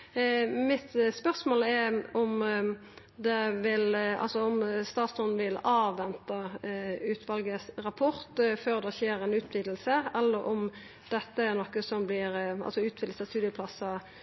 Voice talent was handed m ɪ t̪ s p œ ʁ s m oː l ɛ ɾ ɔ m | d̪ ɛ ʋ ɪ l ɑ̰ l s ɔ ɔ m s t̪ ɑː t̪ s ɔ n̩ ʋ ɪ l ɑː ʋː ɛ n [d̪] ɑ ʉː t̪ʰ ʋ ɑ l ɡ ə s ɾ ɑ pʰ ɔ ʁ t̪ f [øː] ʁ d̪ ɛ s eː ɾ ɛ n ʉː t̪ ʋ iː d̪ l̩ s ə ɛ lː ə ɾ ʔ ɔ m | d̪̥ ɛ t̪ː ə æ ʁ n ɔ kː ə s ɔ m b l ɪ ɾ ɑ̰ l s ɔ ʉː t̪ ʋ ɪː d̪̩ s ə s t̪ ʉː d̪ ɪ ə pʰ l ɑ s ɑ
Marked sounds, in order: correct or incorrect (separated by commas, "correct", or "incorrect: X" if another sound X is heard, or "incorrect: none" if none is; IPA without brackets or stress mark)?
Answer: incorrect: t̪, correct